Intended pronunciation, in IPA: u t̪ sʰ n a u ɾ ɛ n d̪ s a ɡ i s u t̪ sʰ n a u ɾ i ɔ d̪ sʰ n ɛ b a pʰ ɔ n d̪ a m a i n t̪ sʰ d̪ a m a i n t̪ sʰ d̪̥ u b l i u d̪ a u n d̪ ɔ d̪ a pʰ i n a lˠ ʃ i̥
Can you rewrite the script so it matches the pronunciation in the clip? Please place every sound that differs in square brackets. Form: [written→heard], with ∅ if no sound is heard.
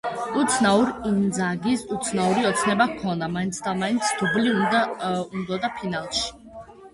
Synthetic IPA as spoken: u t̪ sʰ n a u ɾ [ɛ→i] n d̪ [s→z] a ɡ i s u t̪ sʰ n a u ɾ i ɔ [d̪→t̪] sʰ n ɛ b a [pʰ→kʰ] ɔ n d̪ a m a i n t̪ sʰ d̪ a m a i n t̪ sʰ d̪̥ u b l i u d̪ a u n d̪ ɔ d̪ a pʰ i n a lˠ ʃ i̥

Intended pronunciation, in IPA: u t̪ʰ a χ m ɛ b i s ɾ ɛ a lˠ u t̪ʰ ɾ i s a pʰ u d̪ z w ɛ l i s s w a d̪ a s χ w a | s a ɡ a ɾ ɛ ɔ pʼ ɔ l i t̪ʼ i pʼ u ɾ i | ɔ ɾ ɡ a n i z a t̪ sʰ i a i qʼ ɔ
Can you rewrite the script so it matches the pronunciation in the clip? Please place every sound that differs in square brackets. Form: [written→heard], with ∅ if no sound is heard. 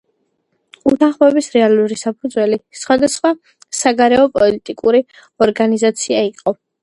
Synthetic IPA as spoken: u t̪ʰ a χ m ɛ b i s ɾ ɛ a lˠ u [t̪ʰ→∅] ɾ i s a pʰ u d̪ z w ɛ l i s [s→χ] w a d̪ a s χ w a | s a ɡ a ɾ ɛ ɔ pʼ ɔ l i t̪ʼ i [pʼ→kʼ] u ɾ i | ɔ ɾ ɡ a n i z a t̪ sʰ i a i qʼ ɔ

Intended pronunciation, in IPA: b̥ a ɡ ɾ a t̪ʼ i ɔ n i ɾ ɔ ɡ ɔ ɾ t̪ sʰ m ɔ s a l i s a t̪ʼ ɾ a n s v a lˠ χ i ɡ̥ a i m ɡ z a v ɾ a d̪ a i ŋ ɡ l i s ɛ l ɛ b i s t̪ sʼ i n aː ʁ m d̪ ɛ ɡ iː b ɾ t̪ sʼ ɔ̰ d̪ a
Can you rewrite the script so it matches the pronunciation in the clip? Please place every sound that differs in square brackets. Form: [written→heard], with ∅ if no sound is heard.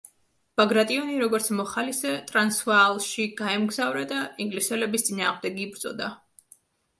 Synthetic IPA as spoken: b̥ a ɡ ɾ a t̪ʼ i ɔ n i ɾ ɔ ɡ ɔ ɾ t̪ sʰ m ɔ [s→χ] a l i s [a→ɛ] t̪ʼ ɾ a n s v a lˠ [χ→ʃ] i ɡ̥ a [i→ɛ] m ɡ z a v ɾ a d̪ a i ŋ ɡ l i s ɛ l ɛ b i s t̪ sʼ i n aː ʁ m d̪ ɛ ɡ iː b ɾ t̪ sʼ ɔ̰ d̪ a

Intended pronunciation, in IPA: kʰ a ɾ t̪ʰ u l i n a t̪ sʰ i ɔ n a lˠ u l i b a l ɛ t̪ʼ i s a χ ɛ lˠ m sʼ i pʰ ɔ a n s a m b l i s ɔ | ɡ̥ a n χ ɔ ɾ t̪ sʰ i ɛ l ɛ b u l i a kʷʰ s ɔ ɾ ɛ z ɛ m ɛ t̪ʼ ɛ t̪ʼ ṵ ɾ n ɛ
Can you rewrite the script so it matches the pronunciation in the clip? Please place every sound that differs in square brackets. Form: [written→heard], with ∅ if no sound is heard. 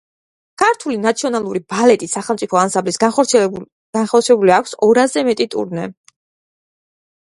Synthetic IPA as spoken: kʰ a ɾ t̪ʰ u l i n a t̪ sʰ i ɔ n a lˠ u [l→ɾ] i b a l ɛ t̪ʼ i s a χ ɛ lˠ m sʼ i pʰ ɔ a n s a m b l i s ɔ | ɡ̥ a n χ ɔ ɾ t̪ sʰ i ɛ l ɛ b u l i a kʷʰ s ɔ ɾ [ɛ→a] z ɛ m ɛ t̪ʼ [ɛ→i] t̪ʼ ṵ ɾ n ɛ

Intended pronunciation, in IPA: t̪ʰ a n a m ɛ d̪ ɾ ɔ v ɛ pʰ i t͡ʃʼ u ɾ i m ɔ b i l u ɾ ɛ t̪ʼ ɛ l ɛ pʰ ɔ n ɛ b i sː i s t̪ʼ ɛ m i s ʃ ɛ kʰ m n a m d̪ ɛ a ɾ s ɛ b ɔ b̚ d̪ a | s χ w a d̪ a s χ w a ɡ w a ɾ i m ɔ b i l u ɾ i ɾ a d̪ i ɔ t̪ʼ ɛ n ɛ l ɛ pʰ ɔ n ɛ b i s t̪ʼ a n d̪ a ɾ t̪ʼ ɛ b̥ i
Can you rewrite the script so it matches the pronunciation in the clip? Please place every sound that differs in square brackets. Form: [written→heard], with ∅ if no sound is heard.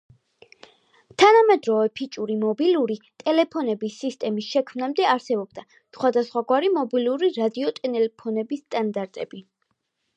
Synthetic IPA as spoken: t̪ʰ a n a m ɛ d̪ ɾ ɔ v ɛ pʰ i t͡ʃʼ u ɾ i m ɔ b i l u ɾ [ɛ→i] t̪ʼ ɛ l ɛ pʰ ɔ n ɛ b i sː i s t̪ʼ ɛ m i s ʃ ɛ kʰ m n a m d̪ ɛ a ɾ s ɛ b ɔ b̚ d̪ a | s χ w a d̪ a s χ w a ɡ w a ɾ i m ɔ b i l u ɾ i ɾ a d̪ i ɔ t̪ʼ ɛ n ɛ l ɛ pʰ ɔ n ɛ b i s t̪ʼ a n d̪ a ɾ t̪ʼ ɛ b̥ i

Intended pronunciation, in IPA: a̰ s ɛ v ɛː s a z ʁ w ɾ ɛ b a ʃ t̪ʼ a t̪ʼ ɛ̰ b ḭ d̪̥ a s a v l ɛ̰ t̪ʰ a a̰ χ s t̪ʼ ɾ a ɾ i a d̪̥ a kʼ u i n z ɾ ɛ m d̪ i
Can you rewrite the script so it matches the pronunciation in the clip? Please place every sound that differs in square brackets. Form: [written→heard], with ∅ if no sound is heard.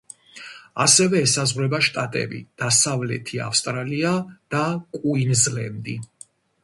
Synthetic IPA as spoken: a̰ s ɛ v ɛː s a z ʁ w ɾ ɛ b a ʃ t̪ʼ a t̪ʼ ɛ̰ b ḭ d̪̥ a s a v l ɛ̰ t̪ʰ [a→i] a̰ [χ→f] s t̪ʼ ɾ a [ɾ→l] i a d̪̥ a kʼ u i n z [ɾ→l] ɛ m d̪ i

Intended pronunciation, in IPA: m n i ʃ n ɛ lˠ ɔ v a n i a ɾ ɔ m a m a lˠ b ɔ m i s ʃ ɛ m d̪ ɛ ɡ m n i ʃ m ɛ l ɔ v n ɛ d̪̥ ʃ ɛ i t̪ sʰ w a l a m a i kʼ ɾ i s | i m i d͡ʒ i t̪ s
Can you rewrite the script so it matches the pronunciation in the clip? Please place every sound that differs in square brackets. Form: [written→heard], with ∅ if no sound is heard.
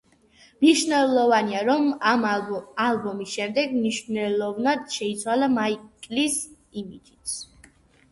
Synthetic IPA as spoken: m n i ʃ n ɛ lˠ ɔ v a n i a ɾ ɔ m a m a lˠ b ɔ m i s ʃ ɛ m d̪ ɛ ɡ m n i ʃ [m→n] ɛ l ɔ v n [ɛ→a] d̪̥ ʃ ɛ i t̪ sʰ w a l a m a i kʼ [ɾ→l] i s | i m i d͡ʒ i t̪ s

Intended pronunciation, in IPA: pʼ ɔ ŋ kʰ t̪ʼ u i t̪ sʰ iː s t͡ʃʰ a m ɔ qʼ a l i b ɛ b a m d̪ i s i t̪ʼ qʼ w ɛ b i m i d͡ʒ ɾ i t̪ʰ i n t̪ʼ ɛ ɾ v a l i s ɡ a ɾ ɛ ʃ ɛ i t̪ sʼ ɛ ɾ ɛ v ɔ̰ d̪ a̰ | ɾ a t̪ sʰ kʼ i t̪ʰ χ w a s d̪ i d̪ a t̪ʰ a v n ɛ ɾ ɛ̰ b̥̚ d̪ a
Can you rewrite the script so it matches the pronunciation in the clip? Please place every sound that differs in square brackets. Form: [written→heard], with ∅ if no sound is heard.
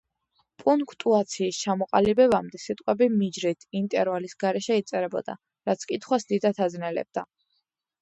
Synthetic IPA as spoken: pʼ [ɔ→u] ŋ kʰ t̪ʼ u [i→a] t̪ sʰ iː s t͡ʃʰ a m ɔ qʼ a l i b ɛ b a m d̪ [i→ɛ] s i t̪ʼ qʼ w ɛ b i m i d͡ʒ ɾ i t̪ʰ i n t̪ʼ ɛ ɾ v a l i s ɡ a ɾ ɛ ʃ ɛ i t̪ sʼ ɛ ɾ ɛ [v→b] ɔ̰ d̪ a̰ | ɾ a t̪ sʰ kʼ i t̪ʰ χ w a s d̪ i d̪ a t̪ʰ a [v→z] n ɛ [ɾ→l] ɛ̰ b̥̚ d̪ a

